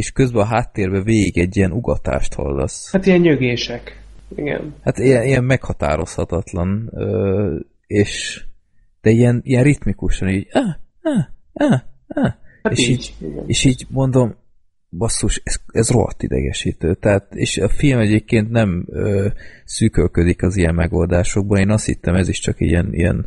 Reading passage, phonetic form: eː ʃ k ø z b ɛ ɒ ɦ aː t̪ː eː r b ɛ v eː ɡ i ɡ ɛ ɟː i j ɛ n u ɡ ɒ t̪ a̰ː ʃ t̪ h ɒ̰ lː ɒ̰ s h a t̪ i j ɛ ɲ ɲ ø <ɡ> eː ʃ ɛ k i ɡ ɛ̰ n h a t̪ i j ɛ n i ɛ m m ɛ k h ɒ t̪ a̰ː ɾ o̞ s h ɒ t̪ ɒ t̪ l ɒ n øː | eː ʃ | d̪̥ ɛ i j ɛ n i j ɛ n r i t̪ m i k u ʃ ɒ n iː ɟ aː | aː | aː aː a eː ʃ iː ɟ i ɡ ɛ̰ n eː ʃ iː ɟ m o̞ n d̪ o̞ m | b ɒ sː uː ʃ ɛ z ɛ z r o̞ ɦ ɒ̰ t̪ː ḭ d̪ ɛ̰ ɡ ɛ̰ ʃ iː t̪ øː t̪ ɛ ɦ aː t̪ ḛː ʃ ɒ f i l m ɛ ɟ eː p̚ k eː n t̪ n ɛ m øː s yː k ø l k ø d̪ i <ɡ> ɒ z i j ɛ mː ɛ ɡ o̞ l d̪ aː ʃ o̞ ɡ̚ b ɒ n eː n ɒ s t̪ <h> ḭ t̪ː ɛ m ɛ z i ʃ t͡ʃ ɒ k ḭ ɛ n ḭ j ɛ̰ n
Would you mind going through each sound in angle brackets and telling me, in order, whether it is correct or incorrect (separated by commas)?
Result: correct, incorrect, correct